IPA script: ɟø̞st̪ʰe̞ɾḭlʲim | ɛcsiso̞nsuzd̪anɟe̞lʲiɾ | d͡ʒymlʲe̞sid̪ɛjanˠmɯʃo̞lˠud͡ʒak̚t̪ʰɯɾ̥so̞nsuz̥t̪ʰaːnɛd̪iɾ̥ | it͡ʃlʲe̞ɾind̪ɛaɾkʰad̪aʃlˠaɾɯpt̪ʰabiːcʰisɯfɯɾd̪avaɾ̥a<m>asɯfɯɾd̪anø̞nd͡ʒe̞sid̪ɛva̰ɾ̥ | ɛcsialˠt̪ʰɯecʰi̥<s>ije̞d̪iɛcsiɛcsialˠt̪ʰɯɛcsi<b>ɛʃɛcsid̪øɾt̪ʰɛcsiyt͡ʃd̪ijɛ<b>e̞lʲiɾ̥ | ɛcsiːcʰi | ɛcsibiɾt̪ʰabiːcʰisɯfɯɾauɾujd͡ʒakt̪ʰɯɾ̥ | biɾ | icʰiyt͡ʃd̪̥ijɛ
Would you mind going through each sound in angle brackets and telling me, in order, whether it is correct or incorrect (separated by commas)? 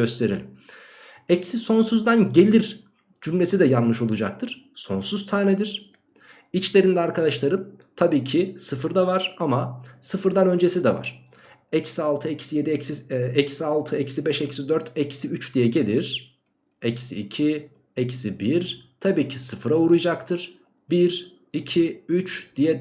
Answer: correct, correct, correct, incorrect